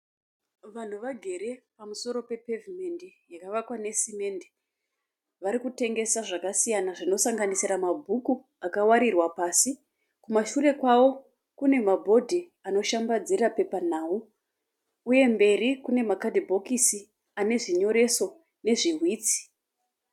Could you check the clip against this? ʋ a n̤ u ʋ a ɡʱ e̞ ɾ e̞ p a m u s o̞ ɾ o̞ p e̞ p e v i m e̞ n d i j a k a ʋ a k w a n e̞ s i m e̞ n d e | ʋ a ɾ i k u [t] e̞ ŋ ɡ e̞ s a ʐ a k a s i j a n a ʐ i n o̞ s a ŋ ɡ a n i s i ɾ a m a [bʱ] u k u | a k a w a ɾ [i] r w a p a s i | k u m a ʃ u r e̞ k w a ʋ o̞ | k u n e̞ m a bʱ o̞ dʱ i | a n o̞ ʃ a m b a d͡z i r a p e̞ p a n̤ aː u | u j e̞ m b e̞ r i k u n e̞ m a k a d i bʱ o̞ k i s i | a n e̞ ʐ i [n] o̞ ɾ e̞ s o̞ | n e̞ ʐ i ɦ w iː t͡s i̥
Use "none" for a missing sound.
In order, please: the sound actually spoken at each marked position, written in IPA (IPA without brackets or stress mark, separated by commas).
t, bʱ, i, ɲ